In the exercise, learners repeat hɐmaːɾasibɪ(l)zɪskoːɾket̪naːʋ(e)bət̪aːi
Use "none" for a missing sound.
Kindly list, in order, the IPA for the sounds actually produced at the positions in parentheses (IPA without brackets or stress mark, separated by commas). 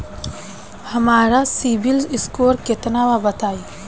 l, a